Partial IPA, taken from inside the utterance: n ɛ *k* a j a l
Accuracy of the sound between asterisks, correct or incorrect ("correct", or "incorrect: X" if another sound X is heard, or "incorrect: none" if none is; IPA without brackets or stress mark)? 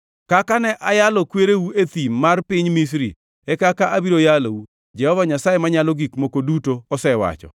incorrect: ʔ